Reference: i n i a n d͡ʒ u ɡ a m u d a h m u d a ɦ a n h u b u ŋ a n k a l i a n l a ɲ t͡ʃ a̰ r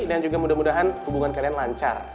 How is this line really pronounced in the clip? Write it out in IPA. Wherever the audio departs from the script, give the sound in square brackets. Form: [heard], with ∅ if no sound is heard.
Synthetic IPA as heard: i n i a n d͡ʒ u ɡ a m u d a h m u d a ɦ a n h u b u ŋ a n k a l i a n l a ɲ t͡ʃ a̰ r

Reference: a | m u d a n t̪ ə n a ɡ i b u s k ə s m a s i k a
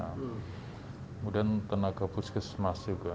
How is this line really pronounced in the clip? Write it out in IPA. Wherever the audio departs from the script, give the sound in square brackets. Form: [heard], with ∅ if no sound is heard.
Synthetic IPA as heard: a | m u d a n t̪ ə n a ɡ [a] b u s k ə s m a s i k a

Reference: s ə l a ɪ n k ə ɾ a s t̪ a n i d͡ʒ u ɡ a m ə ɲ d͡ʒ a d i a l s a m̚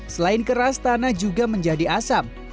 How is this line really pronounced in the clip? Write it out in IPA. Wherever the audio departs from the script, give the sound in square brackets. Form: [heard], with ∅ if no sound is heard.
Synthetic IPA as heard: s ə l a ɪ n k ə ɾ a s t̪ a n [a] d͡ʒ u ɡ a m ə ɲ d͡ʒ a d i a [∅] s a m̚

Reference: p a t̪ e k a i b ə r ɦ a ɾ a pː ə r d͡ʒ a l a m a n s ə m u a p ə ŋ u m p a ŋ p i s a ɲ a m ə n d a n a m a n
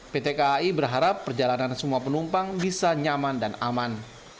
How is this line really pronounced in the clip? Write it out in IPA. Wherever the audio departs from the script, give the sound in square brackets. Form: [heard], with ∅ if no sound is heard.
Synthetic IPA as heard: p [e] t̪ e k a i b ə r ɦ a ɾ a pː ə r d͡ʒ a l a [n] a n s ə m u a p ə [n] u m p a ŋ [b] i s a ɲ a m [a] n d a n a m a n

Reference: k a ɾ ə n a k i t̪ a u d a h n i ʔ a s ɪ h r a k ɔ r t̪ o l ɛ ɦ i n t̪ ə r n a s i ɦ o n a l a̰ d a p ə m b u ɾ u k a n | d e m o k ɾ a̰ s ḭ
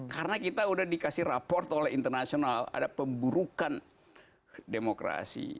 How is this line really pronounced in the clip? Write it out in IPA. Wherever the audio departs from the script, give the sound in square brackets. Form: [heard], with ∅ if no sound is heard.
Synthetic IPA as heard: k a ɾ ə n a k i t̪ a u d a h [d] i [k] a s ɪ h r a [p] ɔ r t̪ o l ɛ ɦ i n t̪ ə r n a s i [∅] o n a l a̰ d a p ə m b u ɾ u k a n | d e m o k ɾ a̰ s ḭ

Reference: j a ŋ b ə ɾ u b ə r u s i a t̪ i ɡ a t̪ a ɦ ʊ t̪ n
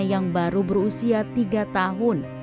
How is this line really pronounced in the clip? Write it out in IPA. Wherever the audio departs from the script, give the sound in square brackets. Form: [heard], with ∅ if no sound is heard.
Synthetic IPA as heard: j a ŋ b [a] ɾ u b ə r u s i a t̪ i ɡ a t̪ a ɦ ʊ [∅] n

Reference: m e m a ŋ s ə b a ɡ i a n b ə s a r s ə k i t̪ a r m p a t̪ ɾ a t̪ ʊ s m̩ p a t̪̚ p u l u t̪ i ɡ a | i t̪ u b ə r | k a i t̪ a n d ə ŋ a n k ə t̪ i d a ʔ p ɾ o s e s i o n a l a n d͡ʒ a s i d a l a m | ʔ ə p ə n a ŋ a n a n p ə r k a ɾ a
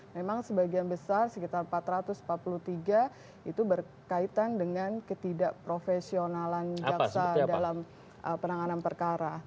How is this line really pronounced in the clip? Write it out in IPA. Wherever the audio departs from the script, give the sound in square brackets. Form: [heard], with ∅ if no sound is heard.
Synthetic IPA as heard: m e m a ŋ s ə b a ɡ i a n b ə s a r s ə k i t̪ a r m p a t̪ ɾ a t̪ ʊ s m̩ p a t̪̚ p u l u t̪ i ɡ a | i t̪ u b ə r | k a i t̪ a n d ə ŋ a n k ə t̪ i d a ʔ p ɾ o [f] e s i o n a l a n d͡ʒ a s [a] d a l a m | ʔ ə p ə n a ŋ a n a n p ə r k a ɾ a

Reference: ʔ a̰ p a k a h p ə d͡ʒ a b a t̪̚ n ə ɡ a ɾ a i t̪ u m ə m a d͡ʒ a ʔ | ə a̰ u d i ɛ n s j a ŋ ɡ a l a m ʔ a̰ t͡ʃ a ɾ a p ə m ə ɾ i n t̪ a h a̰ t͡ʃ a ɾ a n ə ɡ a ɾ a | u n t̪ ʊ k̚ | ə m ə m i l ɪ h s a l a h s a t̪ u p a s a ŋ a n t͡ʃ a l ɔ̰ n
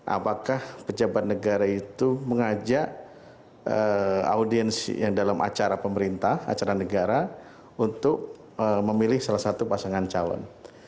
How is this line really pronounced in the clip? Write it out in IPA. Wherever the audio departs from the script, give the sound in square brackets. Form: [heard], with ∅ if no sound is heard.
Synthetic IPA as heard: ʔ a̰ p a k a h p ə d͡ʒ a b a t̪̚ n ə ɡ a ɾ a i t̪ u m ə [ŋ] a d͡ʒ a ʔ | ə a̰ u d i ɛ n s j a ŋ [d] a l a m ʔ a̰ t͡ʃ a ɾ a p ə m ə ɾ i n t̪ a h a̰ t͡ʃ a ɾ a n ə ɡ a ɾ a | u n t̪ ʊ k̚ | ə m ə m i l ɪ h s a l a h s a t̪ u p a s a ŋ a n t͡ʃ a l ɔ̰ n

